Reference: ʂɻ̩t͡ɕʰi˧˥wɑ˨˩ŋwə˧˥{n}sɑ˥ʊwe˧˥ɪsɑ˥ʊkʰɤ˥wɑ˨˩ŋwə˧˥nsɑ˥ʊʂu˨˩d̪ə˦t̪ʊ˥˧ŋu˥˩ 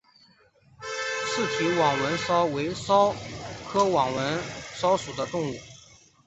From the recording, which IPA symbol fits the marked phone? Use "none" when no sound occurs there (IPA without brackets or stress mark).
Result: n